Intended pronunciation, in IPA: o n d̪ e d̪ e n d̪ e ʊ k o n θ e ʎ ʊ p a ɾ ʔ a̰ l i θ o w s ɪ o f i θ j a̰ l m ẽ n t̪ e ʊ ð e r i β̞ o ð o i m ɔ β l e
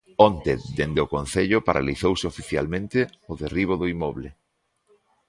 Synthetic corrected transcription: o n t̪ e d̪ e n d̪ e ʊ k o n θ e ʎ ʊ p a ɾ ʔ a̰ l i θ o w s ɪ o f i θ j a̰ l m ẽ n t̪ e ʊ ð e r i β̞ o ð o i m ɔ β l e